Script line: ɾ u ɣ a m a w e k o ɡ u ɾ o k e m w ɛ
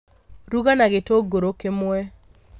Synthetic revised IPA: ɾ u ɣ a n a ɣ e t o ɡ o ɾ o k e m w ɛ